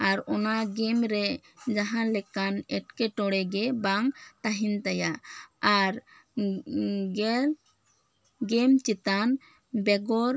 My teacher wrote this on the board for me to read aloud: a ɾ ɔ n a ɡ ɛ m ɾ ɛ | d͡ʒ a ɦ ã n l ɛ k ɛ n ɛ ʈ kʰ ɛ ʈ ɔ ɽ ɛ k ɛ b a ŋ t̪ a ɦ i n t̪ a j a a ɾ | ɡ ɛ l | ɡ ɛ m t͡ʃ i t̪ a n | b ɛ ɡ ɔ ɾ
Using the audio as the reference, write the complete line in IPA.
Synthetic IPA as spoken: a ɾ ɔ n a ɡ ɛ m ɾ ɛ | d͡ʒ a ɦ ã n l ɛ k a n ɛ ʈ k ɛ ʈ ɔ ɽ ɛ ɡ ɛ b a ŋ t̪ a ɦ i n t̪ a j a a ɾ | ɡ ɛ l | ɡ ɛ m t͡ʃ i t̪ a n | b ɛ ɡ ɔ ɾ